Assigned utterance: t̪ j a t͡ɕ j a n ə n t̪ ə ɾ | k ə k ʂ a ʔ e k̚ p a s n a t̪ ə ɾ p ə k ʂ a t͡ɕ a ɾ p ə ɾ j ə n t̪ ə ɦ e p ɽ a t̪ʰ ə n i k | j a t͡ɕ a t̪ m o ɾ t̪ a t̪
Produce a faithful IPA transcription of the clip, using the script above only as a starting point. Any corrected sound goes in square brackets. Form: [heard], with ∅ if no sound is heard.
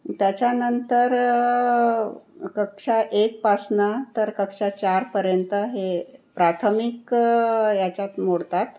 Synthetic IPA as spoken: t̪ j a t͡ɕ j a n ə n t̪ ə ɾ | k ə k ʂ a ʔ e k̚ p a s n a t̪ ə ɾ [k] ə k ʂ a t͡ɕ a ɾ p ə ɾ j ə n t̪ ə ɦ e p [ɾ] a t̪ʰ ə [m] i k | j a t͡ɕ a t̪ m o [ɽ] t̪ a t̪